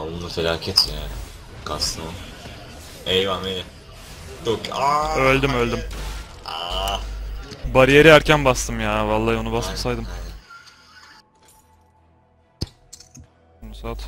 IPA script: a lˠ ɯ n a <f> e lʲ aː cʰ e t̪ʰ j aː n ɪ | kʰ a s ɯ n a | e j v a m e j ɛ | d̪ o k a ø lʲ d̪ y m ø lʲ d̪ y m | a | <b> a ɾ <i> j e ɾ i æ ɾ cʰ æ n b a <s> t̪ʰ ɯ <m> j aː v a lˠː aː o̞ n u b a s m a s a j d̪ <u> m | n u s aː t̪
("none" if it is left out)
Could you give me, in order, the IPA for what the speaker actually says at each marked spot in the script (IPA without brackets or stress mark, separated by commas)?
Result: f, b, i, s, m, ɯ